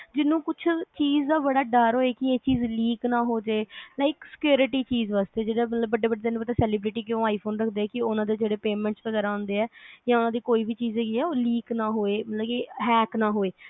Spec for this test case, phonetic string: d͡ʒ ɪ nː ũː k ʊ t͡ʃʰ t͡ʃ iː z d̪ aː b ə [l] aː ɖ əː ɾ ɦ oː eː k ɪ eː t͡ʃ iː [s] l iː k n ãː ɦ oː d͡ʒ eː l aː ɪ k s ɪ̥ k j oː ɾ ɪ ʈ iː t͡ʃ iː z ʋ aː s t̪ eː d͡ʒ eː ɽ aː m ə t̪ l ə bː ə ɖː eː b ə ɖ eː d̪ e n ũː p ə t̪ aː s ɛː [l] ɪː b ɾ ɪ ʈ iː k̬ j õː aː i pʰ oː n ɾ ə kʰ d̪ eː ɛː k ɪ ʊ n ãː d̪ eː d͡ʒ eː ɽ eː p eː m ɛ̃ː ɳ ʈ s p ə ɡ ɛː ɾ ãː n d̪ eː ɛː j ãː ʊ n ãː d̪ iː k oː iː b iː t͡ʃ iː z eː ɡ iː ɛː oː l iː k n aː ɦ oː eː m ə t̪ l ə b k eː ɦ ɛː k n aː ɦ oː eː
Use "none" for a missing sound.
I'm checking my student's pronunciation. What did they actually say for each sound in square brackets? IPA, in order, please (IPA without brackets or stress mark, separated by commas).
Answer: ɽ, z, l